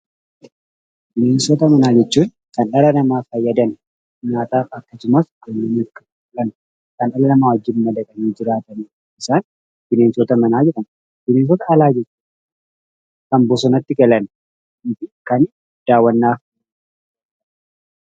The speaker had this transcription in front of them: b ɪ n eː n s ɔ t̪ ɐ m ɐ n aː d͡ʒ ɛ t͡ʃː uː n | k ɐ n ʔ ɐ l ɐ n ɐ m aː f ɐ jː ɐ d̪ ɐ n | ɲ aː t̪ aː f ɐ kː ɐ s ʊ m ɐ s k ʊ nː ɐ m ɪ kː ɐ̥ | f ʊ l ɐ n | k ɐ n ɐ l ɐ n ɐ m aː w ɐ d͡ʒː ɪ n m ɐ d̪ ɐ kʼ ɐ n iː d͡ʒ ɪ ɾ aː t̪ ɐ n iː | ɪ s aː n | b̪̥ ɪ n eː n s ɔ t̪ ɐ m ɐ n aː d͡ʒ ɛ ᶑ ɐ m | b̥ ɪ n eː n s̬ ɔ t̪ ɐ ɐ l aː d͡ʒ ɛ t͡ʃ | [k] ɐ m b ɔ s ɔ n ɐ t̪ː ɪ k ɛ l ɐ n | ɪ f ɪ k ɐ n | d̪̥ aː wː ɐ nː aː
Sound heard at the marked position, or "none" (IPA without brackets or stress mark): k